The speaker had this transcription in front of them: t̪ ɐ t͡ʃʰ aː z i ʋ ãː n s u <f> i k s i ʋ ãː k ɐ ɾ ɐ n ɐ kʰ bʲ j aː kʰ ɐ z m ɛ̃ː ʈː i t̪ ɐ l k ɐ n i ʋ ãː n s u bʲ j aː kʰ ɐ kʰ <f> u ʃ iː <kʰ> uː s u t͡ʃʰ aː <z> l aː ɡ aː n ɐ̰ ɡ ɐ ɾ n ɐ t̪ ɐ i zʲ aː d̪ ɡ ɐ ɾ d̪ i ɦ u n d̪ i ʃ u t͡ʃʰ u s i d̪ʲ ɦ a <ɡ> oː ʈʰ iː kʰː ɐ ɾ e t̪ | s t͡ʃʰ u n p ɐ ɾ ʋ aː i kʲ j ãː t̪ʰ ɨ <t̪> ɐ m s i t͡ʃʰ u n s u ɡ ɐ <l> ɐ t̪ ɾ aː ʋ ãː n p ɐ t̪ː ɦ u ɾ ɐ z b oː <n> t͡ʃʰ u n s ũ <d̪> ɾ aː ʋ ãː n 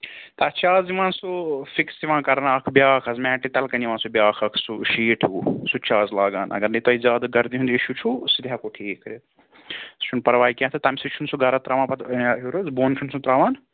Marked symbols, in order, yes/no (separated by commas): yes, no, no, yes, no, yes, no, yes, no